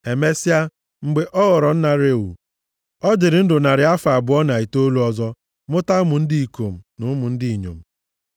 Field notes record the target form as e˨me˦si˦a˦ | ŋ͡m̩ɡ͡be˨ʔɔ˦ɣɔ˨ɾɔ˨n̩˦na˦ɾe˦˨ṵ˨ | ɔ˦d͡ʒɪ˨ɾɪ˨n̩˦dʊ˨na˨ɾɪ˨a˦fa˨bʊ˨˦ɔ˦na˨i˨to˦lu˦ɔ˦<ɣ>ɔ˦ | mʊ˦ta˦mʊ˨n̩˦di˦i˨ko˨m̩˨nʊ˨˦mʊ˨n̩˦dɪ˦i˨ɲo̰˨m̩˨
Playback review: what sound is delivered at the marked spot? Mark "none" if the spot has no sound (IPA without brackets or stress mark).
z